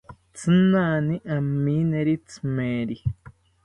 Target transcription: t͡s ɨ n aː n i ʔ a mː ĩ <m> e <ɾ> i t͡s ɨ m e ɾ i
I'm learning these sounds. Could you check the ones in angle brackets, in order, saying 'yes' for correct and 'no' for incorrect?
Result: no, yes

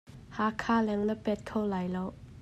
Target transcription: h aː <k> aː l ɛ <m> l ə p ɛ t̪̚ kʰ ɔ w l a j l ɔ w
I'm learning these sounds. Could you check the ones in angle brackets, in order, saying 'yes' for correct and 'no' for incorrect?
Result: no, no

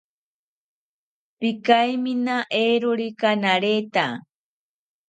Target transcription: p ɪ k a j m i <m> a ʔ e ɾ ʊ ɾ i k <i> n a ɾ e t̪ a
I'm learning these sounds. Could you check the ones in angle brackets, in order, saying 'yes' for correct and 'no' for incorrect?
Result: no, no

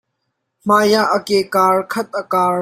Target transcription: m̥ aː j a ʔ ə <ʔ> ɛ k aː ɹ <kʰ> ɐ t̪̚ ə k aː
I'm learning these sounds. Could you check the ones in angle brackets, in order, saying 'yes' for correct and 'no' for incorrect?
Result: no, yes

